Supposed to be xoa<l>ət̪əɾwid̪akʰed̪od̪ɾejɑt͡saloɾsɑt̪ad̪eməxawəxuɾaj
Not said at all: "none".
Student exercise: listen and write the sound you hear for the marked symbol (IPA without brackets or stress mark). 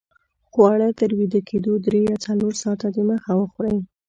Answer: ɽ